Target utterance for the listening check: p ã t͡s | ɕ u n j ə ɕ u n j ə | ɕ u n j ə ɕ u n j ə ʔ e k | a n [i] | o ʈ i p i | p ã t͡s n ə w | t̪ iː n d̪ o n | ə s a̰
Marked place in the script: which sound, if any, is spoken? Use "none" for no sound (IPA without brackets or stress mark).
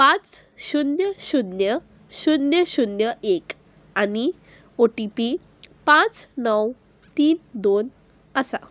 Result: i